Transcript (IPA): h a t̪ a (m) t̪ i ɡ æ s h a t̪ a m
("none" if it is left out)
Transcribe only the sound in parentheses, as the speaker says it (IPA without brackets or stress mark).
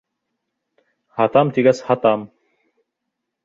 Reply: m